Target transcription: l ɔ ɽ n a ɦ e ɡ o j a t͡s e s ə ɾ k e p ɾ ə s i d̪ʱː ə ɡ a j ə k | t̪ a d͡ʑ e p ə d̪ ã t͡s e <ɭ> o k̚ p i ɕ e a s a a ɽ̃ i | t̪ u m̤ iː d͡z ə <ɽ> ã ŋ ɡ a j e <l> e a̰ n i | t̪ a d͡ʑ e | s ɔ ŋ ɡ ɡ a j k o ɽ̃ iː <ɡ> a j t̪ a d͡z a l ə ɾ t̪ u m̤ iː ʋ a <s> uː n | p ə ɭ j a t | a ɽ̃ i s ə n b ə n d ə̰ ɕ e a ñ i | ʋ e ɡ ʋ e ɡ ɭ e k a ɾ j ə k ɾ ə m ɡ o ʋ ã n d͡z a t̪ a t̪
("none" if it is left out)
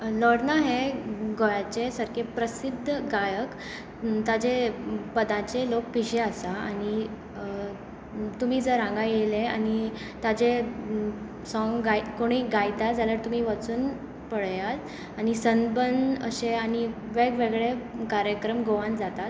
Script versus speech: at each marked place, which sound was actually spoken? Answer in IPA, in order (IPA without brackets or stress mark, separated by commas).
l, ɾ, l, ɡ, t͡s